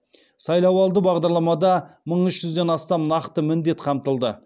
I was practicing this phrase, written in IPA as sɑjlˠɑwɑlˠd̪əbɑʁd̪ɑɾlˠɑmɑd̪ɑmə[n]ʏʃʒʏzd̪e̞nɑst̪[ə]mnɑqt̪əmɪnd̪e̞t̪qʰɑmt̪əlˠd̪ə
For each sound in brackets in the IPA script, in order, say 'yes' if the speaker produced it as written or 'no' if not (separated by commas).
no, no